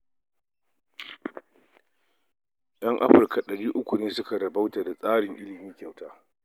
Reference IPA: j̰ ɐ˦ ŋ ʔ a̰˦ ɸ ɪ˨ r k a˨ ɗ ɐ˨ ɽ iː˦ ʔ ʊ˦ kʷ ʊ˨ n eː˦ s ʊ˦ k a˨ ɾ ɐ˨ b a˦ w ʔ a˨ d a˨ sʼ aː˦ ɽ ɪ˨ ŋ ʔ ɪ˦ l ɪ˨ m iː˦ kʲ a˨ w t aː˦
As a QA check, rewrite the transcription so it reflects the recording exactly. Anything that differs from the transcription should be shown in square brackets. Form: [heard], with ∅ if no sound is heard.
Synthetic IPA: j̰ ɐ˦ ŋ ʔ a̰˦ ɸ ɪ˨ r k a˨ ɗ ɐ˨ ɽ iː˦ ʔ ʊ˦ kʷ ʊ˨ n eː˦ s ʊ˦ k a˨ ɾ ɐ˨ b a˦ w [t] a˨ d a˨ sʼ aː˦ ɽ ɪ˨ ŋ ʔ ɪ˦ l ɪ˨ m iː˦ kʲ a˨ w t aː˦